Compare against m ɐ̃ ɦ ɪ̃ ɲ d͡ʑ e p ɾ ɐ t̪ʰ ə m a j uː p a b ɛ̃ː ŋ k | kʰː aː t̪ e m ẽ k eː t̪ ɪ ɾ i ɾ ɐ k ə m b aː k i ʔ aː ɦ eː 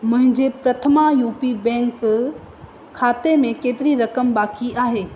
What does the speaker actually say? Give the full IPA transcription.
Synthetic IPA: m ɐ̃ ɦ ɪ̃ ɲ d͡ʑ e p ɾ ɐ t̪ʰ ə m a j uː p i b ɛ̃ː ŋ k | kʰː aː t̪ e m ẽ k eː t̪ ɪ ɾ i ɾ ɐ k ə m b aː k i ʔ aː ɦ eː